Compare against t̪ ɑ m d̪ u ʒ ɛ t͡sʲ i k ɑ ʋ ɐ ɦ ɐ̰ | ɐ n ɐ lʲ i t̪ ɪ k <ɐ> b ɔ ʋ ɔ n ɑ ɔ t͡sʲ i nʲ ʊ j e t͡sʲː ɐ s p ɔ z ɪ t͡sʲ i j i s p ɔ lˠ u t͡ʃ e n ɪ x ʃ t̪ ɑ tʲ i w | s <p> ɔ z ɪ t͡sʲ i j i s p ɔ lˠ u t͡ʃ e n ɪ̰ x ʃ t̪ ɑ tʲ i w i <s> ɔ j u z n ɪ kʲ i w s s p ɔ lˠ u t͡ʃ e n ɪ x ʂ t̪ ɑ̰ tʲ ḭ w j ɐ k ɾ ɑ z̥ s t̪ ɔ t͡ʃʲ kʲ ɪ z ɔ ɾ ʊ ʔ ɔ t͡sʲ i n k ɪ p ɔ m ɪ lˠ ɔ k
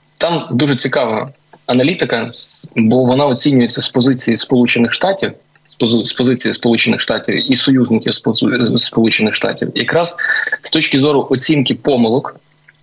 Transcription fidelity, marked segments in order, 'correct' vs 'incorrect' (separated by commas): correct, correct, correct